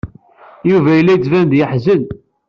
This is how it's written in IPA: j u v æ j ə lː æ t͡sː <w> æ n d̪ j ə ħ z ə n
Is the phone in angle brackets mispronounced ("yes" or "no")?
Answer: yes